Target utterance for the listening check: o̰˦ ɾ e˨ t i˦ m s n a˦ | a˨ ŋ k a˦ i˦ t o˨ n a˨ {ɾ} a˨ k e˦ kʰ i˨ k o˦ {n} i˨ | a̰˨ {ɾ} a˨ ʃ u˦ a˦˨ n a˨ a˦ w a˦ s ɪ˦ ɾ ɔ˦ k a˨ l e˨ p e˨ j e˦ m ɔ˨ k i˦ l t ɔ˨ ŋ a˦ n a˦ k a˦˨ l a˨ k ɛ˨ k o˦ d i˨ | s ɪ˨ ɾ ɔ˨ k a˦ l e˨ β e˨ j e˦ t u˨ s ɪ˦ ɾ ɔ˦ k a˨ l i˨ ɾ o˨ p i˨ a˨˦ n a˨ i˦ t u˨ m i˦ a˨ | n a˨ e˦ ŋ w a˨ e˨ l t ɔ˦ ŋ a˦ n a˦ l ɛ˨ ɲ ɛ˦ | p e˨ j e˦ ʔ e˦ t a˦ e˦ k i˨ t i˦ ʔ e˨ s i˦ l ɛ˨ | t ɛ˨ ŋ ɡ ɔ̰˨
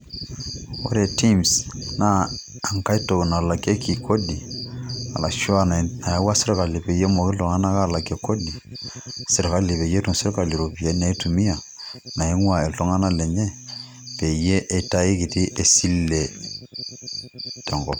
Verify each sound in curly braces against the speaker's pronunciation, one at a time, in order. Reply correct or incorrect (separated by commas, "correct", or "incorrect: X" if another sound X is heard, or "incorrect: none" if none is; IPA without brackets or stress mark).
incorrect: l, incorrect: d, incorrect: l